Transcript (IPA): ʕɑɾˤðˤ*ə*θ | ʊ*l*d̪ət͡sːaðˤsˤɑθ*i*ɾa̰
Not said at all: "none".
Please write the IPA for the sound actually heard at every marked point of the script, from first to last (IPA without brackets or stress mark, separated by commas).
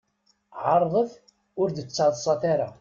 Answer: ə, ɾ, a